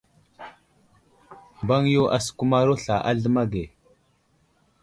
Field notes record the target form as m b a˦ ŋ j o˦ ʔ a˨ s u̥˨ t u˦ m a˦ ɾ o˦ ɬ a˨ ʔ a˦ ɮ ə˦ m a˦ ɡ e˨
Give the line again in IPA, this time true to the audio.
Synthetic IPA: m b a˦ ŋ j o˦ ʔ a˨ s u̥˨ k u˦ m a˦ ɾ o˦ ɬ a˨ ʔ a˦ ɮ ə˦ m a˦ ɡ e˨